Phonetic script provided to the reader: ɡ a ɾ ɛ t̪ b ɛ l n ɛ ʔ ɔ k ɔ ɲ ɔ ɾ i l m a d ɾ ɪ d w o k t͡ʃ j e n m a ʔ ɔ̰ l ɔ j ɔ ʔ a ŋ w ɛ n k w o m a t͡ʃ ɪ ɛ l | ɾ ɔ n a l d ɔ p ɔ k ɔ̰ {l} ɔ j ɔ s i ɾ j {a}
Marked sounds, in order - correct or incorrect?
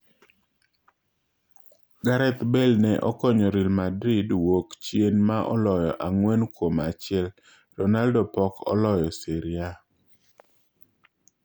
correct, correct

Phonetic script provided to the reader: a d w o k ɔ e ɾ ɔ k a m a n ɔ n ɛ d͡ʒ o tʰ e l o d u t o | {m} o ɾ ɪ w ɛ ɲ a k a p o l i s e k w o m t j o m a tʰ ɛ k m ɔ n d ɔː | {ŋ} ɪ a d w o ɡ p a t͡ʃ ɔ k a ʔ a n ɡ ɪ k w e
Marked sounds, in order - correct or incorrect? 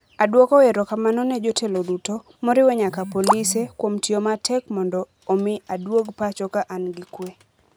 correct, incorrect: m

